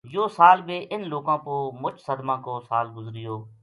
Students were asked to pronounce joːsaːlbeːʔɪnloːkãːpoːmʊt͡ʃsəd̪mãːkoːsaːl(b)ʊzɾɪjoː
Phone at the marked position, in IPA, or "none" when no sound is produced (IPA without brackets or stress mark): ɡ